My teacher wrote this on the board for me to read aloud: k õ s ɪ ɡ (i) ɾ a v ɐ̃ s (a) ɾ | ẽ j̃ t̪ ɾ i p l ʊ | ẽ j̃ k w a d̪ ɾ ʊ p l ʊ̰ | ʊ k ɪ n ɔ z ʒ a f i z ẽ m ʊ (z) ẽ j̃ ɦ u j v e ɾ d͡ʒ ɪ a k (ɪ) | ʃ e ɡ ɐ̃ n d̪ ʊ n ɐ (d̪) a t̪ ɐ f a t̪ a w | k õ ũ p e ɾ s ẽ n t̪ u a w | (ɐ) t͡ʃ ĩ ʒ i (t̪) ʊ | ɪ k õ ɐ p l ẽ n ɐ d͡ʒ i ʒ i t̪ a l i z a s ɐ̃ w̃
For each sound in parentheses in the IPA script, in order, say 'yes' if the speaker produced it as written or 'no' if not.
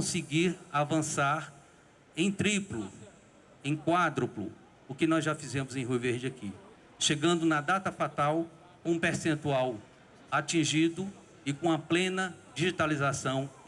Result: yes, yes, yes, no, yes, no, no

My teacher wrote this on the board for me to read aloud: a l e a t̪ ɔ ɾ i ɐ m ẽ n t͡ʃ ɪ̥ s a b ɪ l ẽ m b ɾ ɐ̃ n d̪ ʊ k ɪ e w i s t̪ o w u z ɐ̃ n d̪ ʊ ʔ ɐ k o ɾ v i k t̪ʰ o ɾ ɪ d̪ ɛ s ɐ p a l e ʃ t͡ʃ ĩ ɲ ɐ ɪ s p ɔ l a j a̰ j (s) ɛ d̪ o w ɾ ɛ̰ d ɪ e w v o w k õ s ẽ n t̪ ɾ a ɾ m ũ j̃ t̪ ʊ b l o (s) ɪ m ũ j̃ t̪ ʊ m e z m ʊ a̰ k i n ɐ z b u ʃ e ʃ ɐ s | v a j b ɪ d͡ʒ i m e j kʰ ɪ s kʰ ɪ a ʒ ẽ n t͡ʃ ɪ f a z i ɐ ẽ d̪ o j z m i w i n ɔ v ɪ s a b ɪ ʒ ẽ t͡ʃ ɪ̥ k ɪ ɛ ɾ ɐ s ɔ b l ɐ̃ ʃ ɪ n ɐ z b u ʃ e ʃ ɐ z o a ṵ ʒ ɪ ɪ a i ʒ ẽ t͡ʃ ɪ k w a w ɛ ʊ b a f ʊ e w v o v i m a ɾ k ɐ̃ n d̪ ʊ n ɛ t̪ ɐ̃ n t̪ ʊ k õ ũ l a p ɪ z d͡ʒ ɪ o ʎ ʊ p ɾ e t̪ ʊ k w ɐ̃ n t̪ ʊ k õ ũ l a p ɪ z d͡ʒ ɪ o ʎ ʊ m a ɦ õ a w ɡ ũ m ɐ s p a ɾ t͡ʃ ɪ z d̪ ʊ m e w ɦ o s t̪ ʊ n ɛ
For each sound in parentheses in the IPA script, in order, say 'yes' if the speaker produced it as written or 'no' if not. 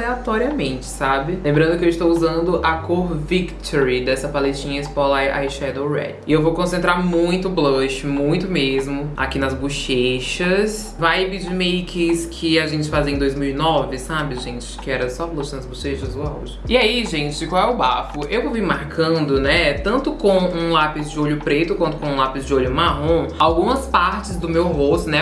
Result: no, no

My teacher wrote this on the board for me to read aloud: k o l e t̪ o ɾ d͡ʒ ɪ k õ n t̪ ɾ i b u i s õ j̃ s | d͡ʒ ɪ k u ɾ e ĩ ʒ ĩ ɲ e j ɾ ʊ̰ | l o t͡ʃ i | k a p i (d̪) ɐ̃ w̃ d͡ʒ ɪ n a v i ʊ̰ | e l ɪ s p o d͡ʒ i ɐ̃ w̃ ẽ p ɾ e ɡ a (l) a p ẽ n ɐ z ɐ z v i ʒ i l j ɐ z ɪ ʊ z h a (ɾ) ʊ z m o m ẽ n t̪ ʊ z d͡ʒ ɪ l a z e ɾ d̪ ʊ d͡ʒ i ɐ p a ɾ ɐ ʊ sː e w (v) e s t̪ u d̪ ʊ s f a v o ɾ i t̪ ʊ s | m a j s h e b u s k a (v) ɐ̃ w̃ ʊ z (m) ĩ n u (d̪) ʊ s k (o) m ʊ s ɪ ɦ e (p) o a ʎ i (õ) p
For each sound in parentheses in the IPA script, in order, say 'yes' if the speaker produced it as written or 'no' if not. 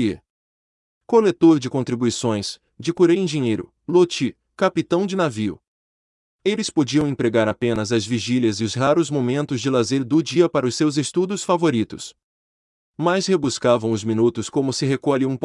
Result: no, no, yes, no, yes, yes, no, no, no, no

